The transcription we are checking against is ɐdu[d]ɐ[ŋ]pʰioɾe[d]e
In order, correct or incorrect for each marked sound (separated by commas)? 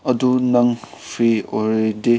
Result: incorrect, correct, correct